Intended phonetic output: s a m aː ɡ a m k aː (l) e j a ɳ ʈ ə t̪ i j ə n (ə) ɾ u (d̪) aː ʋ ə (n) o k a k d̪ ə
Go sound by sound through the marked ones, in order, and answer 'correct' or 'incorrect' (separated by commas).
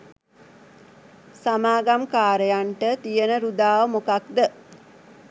incorrect, correct, correct, incorrect